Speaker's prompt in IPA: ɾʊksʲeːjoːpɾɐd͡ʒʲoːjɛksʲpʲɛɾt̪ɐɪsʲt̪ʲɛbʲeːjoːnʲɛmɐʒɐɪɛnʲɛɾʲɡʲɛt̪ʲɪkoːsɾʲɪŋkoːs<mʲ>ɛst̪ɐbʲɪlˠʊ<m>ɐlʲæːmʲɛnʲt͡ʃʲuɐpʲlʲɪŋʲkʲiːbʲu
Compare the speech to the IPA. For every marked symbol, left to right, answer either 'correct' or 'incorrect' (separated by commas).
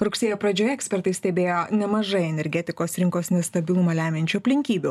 incorrect, correct